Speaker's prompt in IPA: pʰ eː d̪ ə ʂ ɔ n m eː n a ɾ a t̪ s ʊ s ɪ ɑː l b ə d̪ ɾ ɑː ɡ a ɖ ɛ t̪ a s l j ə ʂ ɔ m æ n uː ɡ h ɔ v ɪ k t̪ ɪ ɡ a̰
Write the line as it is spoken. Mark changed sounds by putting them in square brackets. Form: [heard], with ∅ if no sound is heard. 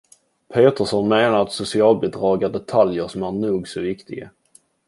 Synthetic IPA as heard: pʰ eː [t̪] ə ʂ ɔ n m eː n a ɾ a t̪ s ʊ s ɪ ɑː l b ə d̪ ɾ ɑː ɡ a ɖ ɛ [t̪ʰ] a [∅] l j ə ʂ ɔ m æ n uː ɡ [s] ɔ v ɪ k t̪ ɪ ɡ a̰